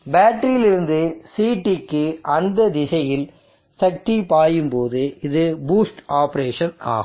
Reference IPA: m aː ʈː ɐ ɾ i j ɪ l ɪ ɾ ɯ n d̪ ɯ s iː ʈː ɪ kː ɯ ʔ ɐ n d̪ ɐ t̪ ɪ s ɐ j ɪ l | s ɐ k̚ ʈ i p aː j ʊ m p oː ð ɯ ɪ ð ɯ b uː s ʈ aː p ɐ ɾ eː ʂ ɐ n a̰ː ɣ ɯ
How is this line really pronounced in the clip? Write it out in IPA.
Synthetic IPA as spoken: b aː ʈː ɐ ɾ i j ɪ l ɪ ɾ ɯ n d̪ ɯ s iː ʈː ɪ kː ɯ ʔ ɐ n d̪ ɐ d̪ ɪ s ɐ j ɪ l | s ɐ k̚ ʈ i p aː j ɯ m p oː ð ɯ ɪ ð ɯ b uː s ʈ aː p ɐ ɾ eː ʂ ɐ n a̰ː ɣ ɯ